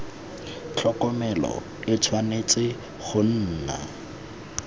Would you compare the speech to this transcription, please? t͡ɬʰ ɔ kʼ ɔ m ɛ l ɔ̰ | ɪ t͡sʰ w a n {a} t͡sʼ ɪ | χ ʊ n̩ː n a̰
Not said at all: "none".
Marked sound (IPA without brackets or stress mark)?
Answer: e